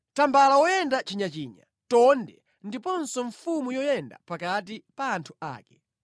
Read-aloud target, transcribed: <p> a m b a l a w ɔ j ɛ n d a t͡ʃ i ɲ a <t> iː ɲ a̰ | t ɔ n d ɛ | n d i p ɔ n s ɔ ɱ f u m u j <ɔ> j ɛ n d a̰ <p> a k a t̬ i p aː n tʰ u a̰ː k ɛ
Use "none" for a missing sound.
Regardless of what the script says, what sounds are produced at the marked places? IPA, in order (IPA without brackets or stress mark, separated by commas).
t, t͡ʃ, ɔ, p